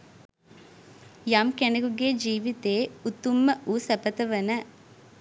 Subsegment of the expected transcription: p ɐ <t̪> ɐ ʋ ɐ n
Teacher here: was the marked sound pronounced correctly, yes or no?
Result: yes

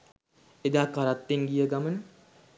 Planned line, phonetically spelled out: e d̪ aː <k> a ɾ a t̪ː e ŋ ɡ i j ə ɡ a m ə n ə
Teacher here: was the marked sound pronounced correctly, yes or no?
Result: yes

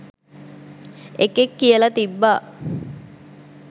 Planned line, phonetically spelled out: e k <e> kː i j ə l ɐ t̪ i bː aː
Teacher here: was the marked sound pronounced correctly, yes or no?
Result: yes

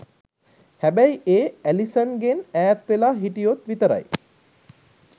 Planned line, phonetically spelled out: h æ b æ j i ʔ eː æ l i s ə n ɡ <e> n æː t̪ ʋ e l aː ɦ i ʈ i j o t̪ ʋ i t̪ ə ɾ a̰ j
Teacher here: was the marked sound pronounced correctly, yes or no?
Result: yes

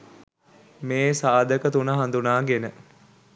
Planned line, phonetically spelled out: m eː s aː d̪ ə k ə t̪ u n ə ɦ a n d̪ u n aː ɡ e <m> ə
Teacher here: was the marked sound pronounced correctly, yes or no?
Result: no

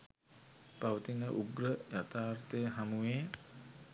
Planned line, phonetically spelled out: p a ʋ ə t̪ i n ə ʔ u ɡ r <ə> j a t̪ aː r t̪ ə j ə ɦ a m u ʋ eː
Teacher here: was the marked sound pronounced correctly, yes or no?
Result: yes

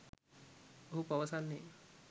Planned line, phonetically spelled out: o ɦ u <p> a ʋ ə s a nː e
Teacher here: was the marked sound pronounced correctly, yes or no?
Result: yes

